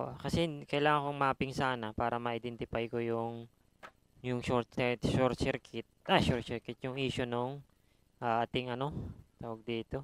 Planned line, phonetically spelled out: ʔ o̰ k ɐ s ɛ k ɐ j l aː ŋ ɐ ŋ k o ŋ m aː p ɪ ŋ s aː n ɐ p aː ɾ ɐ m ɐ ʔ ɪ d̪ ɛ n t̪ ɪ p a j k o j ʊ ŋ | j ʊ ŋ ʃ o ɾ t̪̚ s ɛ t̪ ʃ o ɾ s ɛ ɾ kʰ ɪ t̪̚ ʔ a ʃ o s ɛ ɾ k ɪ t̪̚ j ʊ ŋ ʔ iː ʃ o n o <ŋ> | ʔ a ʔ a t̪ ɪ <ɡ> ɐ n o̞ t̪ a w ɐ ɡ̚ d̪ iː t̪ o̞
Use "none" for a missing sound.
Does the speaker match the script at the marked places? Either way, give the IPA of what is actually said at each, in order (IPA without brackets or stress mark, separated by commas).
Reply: ŋ, ŋ